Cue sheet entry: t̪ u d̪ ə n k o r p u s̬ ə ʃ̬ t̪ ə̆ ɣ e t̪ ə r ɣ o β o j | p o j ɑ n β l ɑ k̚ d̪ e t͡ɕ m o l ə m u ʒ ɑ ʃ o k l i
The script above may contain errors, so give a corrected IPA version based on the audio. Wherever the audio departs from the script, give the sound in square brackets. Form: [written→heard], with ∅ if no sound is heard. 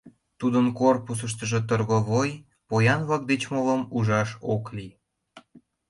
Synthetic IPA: t̪ u d̪ ə n k o r p u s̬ ə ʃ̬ t̪ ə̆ [ɣ→ʒ] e t̪ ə r ɣ o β o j | p o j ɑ n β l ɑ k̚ d̪ e t͡ɕ m o l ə m u ʒ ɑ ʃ o k l i